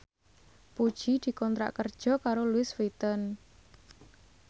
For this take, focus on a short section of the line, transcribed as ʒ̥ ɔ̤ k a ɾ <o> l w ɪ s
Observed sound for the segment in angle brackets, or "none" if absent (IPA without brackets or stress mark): o